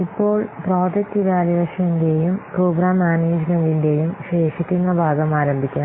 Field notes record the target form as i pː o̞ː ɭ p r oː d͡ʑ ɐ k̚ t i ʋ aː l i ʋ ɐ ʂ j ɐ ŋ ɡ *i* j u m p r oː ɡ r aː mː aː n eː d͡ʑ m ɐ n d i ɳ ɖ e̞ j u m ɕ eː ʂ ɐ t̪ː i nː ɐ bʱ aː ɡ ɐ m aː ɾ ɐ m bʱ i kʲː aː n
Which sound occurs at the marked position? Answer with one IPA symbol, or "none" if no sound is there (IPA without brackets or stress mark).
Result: e